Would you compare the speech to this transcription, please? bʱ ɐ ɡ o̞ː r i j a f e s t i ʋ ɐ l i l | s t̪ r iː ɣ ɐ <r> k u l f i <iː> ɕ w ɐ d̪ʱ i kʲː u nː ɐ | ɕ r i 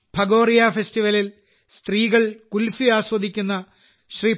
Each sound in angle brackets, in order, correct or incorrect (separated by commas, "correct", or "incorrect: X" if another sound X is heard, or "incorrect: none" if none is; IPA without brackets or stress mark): incorrect: ɭ, incorrect: aː